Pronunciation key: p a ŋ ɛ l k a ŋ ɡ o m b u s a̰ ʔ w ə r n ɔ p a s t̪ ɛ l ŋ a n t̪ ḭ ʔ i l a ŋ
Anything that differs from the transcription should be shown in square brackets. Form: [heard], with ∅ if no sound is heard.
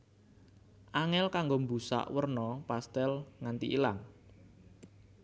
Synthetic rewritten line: [ʔ] a ŋ ɛ l k a ŋ ɡ o m b u s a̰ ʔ w ə r n ɔ p a s t̪ ɛ l ŋ a n t̪ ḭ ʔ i l a ŋ